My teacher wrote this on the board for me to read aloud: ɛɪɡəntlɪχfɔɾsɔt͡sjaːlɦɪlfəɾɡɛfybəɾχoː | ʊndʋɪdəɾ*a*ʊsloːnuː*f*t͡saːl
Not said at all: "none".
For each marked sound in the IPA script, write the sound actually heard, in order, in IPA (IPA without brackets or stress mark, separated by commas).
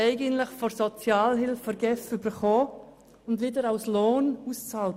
a, s